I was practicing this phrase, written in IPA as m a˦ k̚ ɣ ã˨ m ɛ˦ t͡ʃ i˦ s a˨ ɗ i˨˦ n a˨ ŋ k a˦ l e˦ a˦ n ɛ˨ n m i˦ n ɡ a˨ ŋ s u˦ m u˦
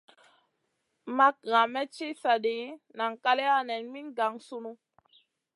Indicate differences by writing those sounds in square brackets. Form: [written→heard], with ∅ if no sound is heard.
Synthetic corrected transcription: m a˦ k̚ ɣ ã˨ m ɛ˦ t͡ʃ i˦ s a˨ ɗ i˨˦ n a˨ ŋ k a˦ l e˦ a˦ n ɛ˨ n m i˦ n ɡ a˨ ŋ s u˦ [m→n] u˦